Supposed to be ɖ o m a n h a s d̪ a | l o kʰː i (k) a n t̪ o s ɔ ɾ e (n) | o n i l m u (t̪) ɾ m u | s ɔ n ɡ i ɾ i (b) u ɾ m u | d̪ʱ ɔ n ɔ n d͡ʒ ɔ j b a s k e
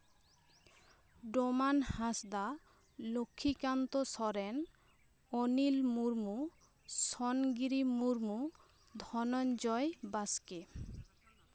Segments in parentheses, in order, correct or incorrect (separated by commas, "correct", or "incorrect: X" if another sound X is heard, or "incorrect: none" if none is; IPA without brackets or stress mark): correct, correct, incorrect: none, incorrect: m